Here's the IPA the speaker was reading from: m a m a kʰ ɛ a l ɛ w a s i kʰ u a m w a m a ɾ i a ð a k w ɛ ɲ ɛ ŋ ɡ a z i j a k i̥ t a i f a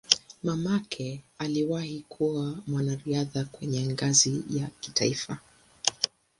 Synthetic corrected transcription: m a m a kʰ ɛ a l i w a h i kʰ u a m w a n a ɾ i a ð a k w ɛ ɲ ɛ ŋ ɡ a z i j a k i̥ t a i f a